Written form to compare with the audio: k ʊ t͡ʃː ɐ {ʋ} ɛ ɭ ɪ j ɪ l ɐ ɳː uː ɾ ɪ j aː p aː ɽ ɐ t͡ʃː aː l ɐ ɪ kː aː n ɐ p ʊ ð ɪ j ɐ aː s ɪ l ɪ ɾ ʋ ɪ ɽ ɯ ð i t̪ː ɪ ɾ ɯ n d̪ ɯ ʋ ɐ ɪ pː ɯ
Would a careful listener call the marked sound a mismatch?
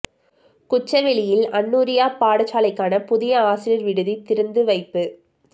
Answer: no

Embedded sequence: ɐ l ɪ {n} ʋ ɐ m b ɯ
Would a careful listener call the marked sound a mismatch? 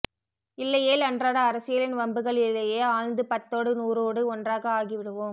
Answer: no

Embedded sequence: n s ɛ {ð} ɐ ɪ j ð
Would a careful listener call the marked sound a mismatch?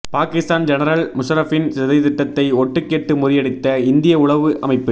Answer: no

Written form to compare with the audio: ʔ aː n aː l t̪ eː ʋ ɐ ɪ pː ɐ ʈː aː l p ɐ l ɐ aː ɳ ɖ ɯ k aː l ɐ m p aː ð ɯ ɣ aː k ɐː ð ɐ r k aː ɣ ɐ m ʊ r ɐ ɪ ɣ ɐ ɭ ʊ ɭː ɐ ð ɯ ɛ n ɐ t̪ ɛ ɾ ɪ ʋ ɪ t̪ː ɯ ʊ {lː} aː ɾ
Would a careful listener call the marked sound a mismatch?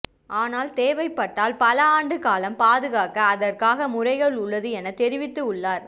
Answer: yes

